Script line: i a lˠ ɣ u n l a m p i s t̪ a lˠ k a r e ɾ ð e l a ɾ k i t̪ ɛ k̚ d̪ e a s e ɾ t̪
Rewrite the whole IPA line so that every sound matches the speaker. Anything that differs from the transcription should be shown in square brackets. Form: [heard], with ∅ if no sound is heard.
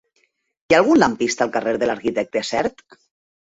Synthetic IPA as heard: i a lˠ ɣ u n l a m p i s t̪ a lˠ k a r e ɾ ð e l a ɾ k i t̪ ɛ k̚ [t̪] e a s [ɛ] ɾ t̪